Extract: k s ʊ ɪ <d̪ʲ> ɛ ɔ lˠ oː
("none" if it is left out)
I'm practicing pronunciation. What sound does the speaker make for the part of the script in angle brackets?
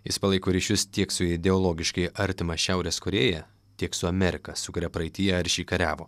d̪ʲ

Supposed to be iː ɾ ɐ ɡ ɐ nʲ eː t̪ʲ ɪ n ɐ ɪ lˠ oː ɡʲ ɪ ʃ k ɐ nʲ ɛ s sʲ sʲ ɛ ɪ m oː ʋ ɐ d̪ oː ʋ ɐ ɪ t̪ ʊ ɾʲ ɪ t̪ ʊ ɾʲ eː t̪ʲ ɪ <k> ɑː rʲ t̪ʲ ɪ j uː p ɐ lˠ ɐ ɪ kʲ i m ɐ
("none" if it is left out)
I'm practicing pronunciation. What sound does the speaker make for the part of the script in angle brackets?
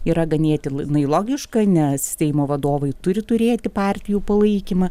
p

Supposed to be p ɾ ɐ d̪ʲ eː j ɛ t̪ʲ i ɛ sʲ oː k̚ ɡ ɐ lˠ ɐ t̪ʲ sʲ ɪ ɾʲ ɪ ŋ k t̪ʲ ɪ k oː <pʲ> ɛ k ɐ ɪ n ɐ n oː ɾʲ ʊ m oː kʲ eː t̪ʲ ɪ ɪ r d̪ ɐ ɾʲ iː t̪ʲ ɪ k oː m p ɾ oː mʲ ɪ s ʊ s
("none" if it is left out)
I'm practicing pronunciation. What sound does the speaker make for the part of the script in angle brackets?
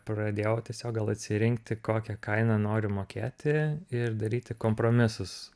kʲ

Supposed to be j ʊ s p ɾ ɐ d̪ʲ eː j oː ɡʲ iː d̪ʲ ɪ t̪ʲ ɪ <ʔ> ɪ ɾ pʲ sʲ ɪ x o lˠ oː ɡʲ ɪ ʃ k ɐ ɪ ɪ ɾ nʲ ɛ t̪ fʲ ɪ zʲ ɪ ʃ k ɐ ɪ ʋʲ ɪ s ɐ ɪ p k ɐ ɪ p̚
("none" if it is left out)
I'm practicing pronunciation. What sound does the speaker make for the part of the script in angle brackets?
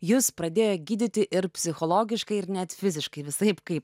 ʔ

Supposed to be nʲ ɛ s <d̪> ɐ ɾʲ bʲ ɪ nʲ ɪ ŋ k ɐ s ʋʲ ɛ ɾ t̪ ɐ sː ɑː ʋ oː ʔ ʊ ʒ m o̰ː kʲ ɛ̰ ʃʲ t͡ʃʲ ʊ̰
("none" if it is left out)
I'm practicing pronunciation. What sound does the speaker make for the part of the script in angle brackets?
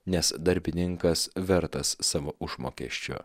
d̪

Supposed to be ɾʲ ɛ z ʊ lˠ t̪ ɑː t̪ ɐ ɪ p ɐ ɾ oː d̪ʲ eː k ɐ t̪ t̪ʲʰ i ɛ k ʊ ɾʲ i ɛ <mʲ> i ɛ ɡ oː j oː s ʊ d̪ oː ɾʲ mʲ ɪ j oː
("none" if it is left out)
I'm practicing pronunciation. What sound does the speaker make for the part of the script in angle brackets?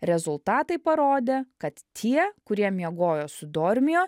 mʲ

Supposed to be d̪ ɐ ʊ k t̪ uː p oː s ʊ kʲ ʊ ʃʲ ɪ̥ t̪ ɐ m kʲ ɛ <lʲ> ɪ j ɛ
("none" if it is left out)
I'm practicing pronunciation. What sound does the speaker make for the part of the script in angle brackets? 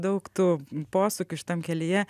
lʲ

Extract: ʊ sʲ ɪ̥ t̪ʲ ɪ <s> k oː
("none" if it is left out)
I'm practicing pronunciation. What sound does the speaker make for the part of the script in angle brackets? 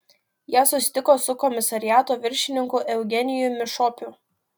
none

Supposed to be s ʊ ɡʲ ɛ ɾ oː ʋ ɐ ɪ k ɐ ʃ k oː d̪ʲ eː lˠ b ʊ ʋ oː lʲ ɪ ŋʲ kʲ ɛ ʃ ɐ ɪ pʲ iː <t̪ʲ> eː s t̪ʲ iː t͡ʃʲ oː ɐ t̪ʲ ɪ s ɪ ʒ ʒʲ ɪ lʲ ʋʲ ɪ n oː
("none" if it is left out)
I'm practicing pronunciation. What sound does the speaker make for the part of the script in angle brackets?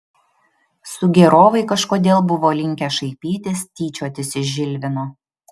t̪ʲ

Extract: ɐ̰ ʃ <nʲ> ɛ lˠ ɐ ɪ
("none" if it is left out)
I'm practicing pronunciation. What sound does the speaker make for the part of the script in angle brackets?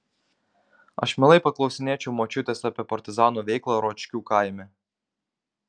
mʲ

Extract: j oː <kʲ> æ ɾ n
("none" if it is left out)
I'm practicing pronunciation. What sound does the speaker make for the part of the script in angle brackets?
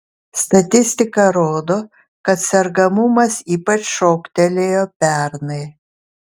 pʲ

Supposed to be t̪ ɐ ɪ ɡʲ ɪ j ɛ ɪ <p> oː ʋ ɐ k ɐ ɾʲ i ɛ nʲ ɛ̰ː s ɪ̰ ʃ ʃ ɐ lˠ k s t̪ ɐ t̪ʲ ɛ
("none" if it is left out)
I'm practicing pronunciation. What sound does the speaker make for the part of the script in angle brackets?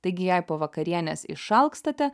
p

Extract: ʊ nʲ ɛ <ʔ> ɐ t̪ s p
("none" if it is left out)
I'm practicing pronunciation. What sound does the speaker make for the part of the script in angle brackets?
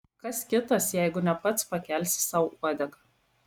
p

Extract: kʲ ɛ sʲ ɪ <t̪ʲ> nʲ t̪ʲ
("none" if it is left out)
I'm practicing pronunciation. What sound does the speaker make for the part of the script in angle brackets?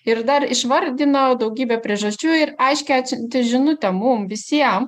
none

